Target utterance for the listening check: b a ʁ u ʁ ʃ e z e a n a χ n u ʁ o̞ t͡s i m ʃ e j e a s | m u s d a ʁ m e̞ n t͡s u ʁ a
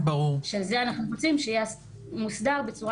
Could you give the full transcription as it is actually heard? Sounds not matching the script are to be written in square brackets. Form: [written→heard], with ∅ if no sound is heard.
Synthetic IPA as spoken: b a ʁ u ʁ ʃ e z e a n a χ n u ʁ o̞ t͡s i m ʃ e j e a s | m u s d a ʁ [m→b] e̞ [n→∅] t͡s u ʁ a